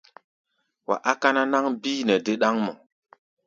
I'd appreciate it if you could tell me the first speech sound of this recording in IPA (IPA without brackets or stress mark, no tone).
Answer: w